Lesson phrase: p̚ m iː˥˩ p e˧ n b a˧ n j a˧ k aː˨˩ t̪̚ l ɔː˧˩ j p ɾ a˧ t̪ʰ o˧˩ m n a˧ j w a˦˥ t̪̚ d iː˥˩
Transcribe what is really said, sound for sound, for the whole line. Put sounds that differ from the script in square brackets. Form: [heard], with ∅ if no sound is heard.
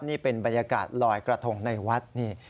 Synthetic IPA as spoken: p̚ [n] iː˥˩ p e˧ n b a˧ n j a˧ k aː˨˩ t̪̚ l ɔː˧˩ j [k] ɾ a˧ t̪ʰ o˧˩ [ŋ] n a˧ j w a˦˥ t̪̚ [n] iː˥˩